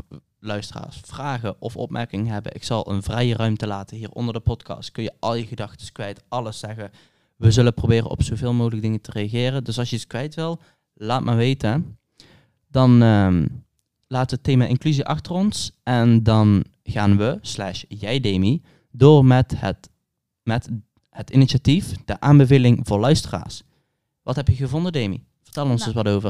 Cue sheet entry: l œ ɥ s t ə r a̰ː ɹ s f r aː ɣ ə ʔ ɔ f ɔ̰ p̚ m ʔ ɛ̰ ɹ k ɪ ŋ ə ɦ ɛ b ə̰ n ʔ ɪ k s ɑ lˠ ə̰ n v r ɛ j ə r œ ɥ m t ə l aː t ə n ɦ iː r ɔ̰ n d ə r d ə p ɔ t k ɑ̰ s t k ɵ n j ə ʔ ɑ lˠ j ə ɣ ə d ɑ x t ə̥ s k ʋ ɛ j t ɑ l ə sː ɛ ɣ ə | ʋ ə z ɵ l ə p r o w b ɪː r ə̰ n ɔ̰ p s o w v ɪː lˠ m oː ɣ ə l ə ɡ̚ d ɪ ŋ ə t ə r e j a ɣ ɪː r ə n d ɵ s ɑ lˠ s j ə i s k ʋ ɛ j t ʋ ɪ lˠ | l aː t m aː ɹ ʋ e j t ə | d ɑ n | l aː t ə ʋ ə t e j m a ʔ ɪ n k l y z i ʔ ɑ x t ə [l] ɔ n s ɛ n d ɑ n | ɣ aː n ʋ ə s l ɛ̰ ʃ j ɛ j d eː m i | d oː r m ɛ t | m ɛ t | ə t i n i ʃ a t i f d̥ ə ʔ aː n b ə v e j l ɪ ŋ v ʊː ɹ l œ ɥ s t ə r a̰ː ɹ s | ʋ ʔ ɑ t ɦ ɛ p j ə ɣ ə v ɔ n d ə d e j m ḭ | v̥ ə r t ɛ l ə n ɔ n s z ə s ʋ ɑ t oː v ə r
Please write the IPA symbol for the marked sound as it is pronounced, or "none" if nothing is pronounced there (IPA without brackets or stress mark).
r